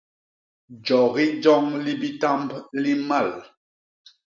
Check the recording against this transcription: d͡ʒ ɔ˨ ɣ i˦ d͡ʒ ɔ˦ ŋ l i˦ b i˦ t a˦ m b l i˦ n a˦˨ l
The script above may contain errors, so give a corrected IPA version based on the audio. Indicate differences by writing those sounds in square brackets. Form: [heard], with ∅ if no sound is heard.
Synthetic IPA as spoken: d͡ʒ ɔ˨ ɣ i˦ d͡ʒ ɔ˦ ŋ l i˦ b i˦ t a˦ m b l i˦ [m] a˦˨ l